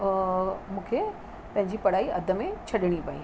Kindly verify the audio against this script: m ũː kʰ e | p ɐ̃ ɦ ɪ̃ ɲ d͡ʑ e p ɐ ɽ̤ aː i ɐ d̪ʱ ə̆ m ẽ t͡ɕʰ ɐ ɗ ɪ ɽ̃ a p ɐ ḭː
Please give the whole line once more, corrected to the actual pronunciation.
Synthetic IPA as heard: m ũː kʰ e | p ɐ̃ ɦ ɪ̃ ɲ d͡ʑ i p ɐ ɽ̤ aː i ɐ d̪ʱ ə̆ m ẽ t͡ɕʰ ɐ ɗ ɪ ɽ̃ i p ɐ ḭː